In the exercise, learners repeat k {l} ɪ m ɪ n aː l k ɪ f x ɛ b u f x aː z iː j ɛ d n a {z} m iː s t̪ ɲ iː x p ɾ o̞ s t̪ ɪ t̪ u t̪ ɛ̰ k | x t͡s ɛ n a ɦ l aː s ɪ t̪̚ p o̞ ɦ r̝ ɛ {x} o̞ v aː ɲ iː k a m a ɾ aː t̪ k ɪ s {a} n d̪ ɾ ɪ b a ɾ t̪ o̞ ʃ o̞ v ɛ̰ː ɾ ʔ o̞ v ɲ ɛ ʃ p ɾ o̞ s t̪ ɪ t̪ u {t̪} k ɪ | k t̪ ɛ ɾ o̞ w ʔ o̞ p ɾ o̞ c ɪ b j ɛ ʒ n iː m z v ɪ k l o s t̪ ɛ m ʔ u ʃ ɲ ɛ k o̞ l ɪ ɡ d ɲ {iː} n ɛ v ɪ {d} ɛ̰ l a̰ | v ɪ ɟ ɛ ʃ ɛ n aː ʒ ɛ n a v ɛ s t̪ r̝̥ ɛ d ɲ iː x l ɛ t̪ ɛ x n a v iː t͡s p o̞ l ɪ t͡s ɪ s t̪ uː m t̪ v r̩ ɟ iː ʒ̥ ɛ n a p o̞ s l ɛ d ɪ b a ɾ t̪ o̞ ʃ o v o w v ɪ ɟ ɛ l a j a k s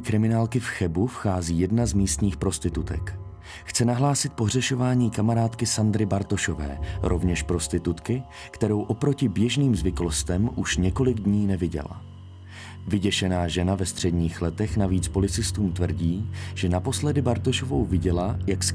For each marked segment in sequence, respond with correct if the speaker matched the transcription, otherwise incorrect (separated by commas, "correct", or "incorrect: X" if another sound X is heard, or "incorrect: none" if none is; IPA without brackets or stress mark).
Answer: incorrect: ɾ, correct, incorrect: ʃ, correct, correct, correct, incorrect: ɟ